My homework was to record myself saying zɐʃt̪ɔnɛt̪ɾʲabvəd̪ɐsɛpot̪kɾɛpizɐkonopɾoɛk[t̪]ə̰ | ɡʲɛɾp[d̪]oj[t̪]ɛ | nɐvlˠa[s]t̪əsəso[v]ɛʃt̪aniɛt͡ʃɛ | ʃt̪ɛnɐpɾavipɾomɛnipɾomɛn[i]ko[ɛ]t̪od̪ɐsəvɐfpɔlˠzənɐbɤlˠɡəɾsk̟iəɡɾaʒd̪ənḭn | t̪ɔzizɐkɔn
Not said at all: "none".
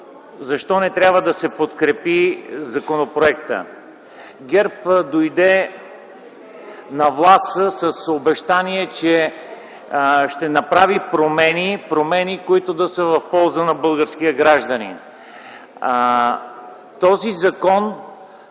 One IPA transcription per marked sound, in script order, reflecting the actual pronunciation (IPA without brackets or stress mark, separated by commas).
t̪, d̪, d̪, s, b, i, i